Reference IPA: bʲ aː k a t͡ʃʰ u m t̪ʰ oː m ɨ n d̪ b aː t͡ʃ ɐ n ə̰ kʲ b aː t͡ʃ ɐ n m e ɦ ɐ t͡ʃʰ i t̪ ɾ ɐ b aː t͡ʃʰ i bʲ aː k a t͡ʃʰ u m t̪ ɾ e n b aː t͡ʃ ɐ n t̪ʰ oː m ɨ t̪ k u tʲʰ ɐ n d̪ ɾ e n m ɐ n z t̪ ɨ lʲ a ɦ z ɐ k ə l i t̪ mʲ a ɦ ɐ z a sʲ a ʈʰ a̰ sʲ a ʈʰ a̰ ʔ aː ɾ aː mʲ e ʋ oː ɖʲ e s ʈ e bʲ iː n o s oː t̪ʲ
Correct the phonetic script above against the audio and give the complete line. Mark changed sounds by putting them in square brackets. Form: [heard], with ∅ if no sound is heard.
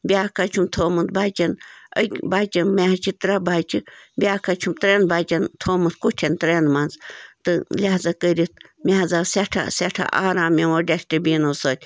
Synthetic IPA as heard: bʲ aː k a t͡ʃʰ u m t̪ʰ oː m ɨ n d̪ b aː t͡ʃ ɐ n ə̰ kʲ b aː t͡ʃ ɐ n m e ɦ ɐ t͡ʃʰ i t̪ ɾ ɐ b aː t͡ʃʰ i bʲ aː k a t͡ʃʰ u m t̪ ɾ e n b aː t͡ʃ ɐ n t̪ʰ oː m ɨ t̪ k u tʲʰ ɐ n [t̪] ɾ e n m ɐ n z t̪ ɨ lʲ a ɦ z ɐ k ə [ɾ] i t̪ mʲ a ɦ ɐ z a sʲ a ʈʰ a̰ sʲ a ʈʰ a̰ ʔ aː ɾ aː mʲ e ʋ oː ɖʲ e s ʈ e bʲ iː n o s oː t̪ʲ